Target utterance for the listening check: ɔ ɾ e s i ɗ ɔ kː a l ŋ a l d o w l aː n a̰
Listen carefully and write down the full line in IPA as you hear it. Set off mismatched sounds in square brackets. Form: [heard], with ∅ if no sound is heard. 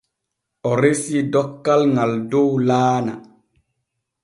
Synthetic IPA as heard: ɔ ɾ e s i [d] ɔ kː a l ŋ a l d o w l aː n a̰